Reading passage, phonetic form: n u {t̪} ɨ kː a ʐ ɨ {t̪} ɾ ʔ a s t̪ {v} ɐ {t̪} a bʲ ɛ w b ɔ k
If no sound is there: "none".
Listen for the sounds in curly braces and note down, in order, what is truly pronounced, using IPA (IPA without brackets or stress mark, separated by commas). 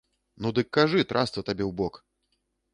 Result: d̪, t̪, v, t̪